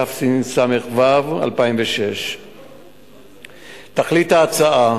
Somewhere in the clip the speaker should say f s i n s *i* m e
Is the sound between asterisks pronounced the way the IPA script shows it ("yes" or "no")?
no